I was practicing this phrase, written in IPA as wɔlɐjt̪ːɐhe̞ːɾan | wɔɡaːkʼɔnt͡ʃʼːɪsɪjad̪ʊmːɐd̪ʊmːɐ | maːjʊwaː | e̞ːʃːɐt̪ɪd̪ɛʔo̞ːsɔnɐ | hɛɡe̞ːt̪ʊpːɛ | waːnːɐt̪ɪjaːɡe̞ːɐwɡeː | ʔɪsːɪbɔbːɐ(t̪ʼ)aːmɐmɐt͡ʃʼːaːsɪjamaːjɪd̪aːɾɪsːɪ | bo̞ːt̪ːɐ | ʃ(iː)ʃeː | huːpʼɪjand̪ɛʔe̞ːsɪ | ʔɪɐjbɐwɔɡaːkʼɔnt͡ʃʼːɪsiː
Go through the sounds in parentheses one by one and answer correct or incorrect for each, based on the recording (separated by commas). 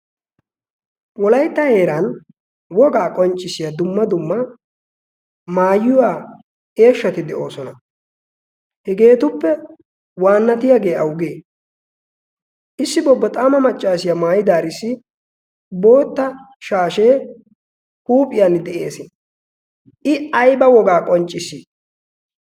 correct, incorrect